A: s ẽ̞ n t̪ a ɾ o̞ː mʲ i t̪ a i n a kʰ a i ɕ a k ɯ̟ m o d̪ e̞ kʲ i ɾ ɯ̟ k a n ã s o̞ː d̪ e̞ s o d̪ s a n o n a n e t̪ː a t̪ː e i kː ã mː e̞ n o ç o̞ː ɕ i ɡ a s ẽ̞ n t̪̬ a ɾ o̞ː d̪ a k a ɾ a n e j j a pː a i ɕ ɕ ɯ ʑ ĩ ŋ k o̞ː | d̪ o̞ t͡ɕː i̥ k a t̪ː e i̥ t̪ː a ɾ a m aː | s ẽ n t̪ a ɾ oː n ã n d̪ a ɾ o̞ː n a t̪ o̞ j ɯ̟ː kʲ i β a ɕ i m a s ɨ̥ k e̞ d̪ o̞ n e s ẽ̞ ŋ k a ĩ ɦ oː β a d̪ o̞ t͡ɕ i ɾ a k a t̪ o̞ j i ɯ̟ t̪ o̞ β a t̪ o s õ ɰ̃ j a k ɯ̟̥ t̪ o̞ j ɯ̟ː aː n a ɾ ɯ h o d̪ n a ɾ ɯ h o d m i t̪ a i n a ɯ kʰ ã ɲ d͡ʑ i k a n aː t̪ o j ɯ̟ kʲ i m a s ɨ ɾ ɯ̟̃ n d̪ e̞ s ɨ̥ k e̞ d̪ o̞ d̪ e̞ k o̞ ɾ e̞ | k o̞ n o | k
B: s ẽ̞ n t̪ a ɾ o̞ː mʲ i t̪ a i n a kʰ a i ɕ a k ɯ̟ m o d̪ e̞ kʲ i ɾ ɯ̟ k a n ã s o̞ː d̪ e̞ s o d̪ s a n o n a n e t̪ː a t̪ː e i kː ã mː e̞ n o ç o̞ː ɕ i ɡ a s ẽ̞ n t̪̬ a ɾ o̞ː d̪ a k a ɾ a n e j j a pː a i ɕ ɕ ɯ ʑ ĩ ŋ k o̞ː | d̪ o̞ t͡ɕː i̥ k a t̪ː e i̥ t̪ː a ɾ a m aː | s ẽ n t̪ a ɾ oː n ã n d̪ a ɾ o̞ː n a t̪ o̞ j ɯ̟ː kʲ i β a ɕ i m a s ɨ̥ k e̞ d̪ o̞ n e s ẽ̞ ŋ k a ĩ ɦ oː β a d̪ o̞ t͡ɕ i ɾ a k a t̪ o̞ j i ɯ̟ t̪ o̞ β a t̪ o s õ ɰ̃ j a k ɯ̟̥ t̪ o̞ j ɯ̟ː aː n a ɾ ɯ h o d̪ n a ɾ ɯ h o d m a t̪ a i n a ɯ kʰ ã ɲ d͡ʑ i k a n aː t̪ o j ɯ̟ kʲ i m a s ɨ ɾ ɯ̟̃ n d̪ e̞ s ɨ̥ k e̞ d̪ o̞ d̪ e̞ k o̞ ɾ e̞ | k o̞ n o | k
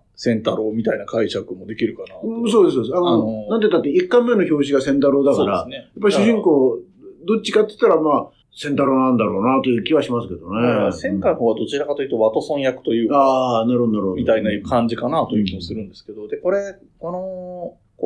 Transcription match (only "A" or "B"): A